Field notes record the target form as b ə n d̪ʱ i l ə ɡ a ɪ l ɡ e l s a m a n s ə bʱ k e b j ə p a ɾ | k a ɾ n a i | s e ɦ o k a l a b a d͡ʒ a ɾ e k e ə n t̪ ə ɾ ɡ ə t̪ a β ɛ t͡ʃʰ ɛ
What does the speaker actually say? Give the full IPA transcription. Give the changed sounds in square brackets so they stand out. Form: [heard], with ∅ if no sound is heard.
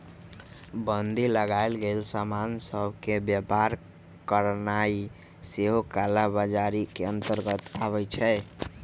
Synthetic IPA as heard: b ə n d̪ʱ i l ə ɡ a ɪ l ɡ e l s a m a n s ə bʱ k e b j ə p a ɾ | k [ə] ɾ n a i | s e ɦ o k a l a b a d͡ʒ a ɾ [i] k e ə n t̪ ə ɾ ɡ ə t̪ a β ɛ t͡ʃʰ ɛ